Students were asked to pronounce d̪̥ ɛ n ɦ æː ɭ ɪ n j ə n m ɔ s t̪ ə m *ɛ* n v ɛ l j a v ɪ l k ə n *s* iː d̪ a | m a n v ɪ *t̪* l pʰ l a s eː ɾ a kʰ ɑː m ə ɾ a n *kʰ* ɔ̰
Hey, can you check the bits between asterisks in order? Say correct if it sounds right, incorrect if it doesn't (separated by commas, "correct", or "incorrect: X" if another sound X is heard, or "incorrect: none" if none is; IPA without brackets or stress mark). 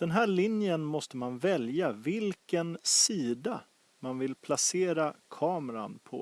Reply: incorrect: a, correct, incorrect: none, incorrect: pʰ